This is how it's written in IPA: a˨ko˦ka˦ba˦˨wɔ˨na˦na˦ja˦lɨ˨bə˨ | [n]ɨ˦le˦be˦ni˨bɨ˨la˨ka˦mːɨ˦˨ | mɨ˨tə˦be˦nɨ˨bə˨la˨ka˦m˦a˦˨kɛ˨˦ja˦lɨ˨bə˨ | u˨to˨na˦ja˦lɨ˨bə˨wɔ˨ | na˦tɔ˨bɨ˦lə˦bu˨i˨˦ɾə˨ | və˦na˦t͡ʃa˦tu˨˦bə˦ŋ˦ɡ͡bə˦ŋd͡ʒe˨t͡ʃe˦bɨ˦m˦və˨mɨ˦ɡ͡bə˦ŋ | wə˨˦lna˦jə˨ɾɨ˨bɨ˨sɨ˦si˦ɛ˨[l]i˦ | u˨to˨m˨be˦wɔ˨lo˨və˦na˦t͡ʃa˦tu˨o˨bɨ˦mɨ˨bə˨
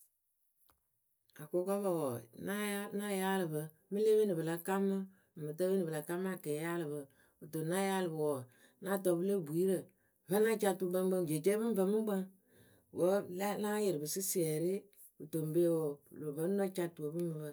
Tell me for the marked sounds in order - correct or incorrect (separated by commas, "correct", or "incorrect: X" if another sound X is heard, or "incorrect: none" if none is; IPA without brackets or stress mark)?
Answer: incorrect: m, incorrect: ɾ